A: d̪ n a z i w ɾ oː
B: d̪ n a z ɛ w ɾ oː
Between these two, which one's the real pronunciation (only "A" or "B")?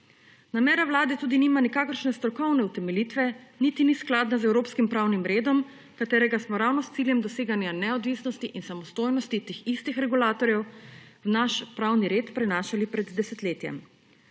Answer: B